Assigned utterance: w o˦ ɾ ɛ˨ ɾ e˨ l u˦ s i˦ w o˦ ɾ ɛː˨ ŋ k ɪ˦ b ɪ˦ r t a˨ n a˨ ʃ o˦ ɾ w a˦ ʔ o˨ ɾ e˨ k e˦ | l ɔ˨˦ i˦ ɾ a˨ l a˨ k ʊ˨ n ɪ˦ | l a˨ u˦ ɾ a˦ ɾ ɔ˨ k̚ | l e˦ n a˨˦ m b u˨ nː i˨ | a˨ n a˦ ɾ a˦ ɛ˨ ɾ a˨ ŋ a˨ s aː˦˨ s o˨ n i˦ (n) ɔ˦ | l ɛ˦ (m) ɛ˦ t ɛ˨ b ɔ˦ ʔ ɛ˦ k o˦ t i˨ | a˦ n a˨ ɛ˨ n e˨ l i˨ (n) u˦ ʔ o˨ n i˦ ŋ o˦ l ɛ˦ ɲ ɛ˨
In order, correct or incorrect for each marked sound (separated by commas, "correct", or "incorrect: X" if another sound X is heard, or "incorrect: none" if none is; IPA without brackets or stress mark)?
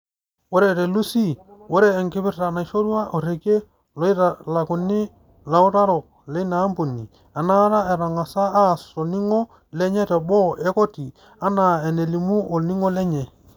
incorrect: ŋ, incorrect: ɲ, incorrect: m